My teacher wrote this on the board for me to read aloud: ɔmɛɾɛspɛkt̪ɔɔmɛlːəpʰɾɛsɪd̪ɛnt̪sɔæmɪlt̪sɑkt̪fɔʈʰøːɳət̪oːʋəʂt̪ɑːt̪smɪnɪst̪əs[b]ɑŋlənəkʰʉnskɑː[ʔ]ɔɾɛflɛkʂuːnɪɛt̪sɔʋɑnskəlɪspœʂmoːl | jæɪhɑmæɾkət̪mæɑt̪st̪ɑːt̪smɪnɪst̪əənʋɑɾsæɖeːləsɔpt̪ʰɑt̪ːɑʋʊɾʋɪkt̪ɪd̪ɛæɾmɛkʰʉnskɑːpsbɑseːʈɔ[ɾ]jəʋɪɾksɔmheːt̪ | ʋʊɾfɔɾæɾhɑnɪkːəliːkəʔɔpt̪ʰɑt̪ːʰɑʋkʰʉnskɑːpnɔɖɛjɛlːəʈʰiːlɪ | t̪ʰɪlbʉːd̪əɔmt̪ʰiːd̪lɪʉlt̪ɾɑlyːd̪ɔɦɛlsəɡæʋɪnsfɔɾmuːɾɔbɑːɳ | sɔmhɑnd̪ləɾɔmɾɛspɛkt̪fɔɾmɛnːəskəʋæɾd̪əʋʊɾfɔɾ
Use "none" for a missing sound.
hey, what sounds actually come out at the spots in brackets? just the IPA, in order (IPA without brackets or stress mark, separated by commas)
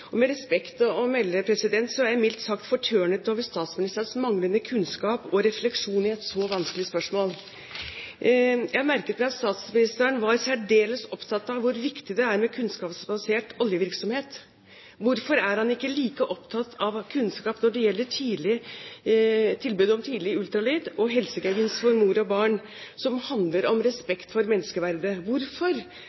m, p, l